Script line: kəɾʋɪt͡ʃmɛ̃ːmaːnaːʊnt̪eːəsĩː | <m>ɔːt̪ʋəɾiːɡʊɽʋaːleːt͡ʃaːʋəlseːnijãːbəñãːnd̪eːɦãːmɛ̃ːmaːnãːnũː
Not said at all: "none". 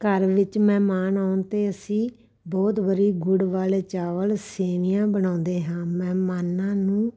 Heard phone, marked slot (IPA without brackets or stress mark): b